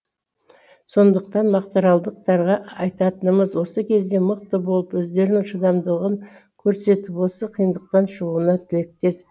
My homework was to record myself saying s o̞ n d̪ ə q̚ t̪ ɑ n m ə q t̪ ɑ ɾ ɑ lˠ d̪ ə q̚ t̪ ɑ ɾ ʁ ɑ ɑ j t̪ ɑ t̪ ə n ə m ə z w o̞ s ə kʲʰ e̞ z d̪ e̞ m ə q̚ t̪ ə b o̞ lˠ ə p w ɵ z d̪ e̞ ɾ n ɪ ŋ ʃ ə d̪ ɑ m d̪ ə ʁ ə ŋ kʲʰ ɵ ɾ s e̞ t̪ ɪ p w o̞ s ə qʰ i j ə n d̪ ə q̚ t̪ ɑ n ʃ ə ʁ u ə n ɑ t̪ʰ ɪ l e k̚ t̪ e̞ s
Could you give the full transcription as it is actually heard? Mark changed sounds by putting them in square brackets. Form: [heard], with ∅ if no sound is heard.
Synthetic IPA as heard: s o̞ n d̪ ə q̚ t̪ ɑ n m [ɑ] q t̪ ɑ ɾ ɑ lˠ d̪ ə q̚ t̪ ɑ ɾ ʁ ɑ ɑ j t̪ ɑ t̪ ə n ə m ə z w o̞ s ə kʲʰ e̞ z d̪ e̞ m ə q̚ t̪ ə b o̞ lˠ ə p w ɵ z d̪ e̞ ɾ n ɪ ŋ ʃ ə d̪ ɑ m d̪ ə ʁ ə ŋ kʲʰ ɵ ɾ s e̞ t̪ ɪ p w o̞ s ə qʰ i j ə n d̪ ə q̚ t̪ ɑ n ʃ ə ʁ u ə n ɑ t̪ʰ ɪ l e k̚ t̪ e̞ s